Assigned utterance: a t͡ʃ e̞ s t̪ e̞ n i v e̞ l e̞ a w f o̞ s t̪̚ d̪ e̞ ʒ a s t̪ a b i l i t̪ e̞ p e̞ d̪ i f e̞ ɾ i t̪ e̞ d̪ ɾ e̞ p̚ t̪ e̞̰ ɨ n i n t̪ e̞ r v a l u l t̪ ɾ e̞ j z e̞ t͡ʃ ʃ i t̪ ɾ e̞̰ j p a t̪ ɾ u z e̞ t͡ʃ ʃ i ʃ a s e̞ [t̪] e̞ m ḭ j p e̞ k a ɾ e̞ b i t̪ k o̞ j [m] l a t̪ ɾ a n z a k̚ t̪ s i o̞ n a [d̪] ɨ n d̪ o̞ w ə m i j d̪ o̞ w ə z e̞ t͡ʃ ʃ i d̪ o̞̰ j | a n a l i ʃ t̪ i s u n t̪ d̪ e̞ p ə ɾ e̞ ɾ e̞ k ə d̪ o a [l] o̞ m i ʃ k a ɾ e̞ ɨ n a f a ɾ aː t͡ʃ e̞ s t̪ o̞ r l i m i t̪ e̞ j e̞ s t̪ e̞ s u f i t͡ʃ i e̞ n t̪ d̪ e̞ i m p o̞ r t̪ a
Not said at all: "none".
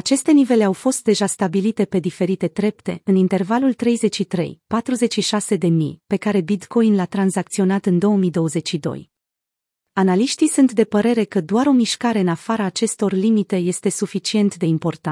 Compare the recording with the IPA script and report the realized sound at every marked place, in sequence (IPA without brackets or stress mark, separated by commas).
d̪, n, t̪, ɾ